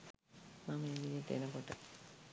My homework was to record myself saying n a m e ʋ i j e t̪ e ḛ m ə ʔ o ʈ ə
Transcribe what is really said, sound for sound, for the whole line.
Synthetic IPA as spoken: m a m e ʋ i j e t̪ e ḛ n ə k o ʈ ə